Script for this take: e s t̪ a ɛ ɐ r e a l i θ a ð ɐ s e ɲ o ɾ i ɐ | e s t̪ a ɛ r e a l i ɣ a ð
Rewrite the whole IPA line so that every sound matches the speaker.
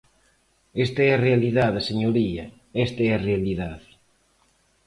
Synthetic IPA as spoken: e s t̪ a ɛ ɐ r e a l i ð a ð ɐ s e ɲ o ɾ i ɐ | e s t̪ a ɛ r e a l i ð a ð